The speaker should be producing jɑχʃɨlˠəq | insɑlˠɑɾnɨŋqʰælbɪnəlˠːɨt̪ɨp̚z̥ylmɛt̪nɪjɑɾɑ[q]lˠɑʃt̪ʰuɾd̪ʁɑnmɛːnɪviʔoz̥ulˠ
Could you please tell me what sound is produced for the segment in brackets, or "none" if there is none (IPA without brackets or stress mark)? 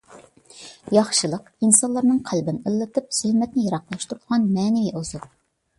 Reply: q